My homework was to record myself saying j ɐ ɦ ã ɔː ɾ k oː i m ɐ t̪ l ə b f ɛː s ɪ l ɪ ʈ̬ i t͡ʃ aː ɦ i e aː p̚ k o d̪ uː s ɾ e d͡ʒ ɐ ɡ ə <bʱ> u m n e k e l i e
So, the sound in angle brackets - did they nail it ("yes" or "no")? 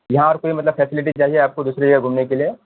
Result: no